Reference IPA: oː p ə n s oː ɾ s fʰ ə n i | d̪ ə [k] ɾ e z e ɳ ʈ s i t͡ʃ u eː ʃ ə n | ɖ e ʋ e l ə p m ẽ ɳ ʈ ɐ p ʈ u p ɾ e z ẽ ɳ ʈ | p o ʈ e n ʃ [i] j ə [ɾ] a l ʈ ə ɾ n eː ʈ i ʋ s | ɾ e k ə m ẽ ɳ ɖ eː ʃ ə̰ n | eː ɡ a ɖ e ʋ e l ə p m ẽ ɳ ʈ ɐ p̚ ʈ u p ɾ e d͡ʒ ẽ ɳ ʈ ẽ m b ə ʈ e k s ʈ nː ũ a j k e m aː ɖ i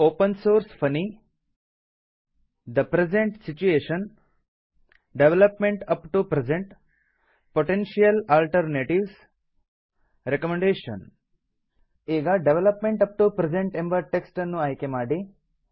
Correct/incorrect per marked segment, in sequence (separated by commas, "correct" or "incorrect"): incorrect, correct, incorrect